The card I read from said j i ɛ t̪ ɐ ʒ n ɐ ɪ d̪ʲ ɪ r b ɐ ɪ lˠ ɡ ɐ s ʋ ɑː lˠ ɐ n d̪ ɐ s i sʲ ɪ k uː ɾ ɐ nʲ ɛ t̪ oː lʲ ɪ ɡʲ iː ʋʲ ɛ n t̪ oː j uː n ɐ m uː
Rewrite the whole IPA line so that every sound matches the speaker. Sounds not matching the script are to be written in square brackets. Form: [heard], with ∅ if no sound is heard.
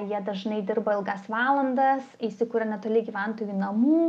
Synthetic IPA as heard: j i ɛ [d̪] ɐ ʒ n ɐ ɪ d̪ʲ ɪ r b ɐ ɪ lˠ ɡ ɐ s ʋ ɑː lˠ ɐ n d̪ ɐ s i sʲ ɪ k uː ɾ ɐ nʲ ɛ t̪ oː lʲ ɪ ɡʲ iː ʋʲ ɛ n t̪ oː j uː n ɐ m uː